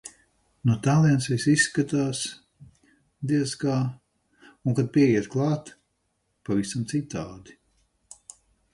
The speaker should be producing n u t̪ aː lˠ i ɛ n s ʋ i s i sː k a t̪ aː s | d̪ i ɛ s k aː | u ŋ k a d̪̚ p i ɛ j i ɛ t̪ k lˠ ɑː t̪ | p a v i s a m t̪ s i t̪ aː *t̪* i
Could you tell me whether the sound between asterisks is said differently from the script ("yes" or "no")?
yes